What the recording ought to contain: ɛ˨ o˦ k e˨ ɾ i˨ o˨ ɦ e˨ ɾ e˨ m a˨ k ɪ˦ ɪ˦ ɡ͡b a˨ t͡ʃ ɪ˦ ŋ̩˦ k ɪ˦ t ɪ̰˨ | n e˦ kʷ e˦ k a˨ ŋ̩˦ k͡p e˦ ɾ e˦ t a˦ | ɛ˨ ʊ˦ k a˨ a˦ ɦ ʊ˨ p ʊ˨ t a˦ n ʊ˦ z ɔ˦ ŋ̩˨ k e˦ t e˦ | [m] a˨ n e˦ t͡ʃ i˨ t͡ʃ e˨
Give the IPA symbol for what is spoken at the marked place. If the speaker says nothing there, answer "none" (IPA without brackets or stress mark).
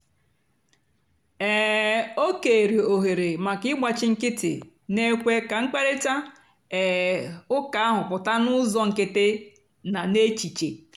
n